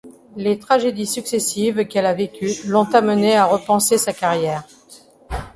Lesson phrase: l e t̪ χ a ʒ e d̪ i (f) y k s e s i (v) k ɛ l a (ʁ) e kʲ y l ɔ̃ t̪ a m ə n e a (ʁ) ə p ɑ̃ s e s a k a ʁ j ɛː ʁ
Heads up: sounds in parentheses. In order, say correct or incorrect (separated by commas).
incorrect, correct, incorrect, correct